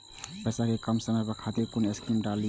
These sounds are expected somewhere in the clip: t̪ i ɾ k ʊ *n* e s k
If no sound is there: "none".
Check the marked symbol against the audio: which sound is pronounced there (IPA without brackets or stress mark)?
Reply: n